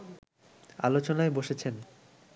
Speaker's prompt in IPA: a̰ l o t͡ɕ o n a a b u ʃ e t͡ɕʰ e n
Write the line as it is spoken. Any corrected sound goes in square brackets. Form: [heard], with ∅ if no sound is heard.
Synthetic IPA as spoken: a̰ l o t͡ɕ o n a [e] b [o] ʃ e t͡ɕʰ e n